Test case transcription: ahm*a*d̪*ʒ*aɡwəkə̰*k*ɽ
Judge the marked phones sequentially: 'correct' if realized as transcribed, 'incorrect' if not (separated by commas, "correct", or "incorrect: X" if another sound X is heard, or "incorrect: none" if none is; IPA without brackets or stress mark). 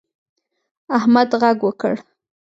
correct, incorrect: ɣ, incorrect: none